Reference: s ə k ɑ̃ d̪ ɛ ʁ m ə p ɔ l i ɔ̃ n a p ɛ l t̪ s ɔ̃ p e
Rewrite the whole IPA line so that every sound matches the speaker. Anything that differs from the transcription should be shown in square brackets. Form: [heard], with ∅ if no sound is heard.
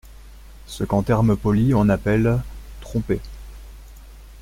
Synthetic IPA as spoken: s ə k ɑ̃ [t̪] ɛ ʁ m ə p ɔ l i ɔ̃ n a p ɛ l t̪ [χ] ɔ̃ p e